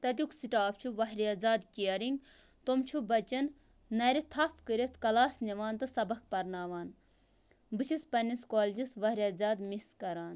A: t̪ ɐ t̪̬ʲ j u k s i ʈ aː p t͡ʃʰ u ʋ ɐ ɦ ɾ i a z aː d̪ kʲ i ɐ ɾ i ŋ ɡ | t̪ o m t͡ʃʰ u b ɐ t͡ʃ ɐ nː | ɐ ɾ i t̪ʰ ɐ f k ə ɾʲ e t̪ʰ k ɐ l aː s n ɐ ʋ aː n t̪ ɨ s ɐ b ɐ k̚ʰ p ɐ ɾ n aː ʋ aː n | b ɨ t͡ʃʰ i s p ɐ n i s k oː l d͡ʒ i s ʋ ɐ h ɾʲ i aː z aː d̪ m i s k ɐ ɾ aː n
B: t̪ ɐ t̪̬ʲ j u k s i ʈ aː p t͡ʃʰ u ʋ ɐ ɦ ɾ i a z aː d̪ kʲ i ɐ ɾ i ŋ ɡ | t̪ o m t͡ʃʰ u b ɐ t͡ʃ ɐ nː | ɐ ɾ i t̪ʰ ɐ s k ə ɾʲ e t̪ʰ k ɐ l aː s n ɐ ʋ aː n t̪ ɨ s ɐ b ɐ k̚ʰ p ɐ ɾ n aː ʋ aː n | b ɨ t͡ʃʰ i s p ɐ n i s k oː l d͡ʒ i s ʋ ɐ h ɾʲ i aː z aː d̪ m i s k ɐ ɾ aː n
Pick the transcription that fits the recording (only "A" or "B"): A